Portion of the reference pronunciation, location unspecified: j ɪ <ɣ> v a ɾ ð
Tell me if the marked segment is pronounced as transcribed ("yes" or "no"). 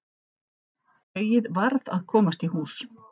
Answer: no